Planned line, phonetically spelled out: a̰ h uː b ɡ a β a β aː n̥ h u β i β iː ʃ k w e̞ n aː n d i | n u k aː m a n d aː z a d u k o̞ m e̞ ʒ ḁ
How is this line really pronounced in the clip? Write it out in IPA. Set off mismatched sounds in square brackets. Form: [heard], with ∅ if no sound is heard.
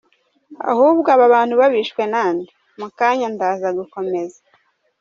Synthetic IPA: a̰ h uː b ɡ a β a β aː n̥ h u β [a] β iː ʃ k w e̞ n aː n d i | [m] u k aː [ɲ] a n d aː z a [ɡ] u k o̞ m e̞ [z] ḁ